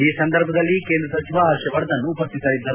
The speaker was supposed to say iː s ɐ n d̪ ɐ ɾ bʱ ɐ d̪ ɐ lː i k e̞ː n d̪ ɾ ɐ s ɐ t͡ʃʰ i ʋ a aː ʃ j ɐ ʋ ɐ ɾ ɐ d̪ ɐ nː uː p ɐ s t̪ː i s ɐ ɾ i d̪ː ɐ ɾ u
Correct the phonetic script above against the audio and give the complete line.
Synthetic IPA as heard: iː s ɐ n d̪ ɐ ɾ bʱ ɐ d̪ ɐ lː i k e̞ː n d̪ ɾ ɐ s ɐ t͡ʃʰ i ʋ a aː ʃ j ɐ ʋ ɐ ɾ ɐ d̪ ɐ nː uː p ɐ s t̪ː i s ɐ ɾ i d̪ː ɐ ɾ u